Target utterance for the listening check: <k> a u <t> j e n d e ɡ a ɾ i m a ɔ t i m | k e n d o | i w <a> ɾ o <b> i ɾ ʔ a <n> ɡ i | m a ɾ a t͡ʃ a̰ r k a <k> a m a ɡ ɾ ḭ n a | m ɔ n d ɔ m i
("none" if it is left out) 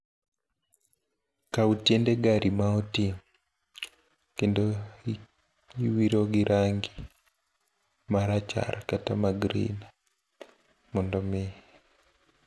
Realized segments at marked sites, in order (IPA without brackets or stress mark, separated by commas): k, t, i, ɡ, ŋ, t